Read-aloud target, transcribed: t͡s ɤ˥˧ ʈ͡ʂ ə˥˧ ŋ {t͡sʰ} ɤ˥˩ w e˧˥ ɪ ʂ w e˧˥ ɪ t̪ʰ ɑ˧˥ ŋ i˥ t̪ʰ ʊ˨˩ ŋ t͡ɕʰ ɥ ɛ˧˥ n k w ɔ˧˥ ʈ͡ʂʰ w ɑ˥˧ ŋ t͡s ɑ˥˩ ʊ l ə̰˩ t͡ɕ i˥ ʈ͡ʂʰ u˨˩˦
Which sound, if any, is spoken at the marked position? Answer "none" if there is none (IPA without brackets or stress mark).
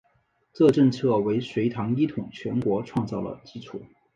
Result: t͡sʰ